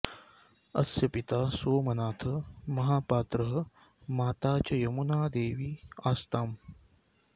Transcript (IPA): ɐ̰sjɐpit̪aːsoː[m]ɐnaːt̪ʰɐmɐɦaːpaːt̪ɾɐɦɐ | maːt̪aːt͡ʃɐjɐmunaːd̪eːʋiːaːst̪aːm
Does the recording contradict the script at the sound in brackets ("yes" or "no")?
no